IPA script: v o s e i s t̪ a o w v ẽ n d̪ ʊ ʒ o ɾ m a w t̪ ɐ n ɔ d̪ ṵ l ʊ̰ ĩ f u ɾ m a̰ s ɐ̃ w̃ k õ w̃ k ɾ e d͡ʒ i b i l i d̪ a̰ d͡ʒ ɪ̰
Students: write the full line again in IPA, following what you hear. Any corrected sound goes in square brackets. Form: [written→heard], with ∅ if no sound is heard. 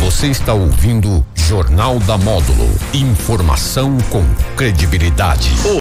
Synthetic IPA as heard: v o s e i s t̪ a o w v [ẽ→ĩ] n d̪ ʊ ʒ o ɾ [m→n] a w [t̪→d̪] ɐ [n→m] ɔ d̪ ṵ l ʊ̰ ĩ f [u→o] ɾ m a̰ s ɐ̃ w̃ k õ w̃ k ɾ e d͡ʒ i b i l i d̪ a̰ d͡ʒ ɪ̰